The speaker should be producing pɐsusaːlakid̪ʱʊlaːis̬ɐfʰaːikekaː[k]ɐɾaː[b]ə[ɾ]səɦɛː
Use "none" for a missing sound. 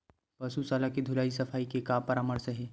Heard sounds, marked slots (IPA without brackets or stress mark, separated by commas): p, m, ɾ